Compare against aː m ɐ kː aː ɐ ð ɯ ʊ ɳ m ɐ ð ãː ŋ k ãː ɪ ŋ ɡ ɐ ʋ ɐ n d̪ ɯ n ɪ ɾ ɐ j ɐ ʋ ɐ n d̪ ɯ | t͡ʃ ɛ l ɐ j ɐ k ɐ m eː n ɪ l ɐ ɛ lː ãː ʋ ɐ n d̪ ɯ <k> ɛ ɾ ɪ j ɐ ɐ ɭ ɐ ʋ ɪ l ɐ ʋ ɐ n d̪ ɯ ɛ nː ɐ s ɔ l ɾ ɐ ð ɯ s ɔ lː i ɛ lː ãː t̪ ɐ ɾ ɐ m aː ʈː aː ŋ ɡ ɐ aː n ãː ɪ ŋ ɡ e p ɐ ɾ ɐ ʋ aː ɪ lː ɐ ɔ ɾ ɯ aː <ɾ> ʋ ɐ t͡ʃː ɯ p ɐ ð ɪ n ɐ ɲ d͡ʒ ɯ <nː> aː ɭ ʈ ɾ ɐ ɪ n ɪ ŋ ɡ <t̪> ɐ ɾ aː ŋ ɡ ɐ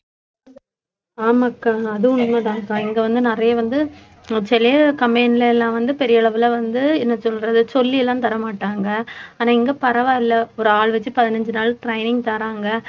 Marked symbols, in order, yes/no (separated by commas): no, no, no, yes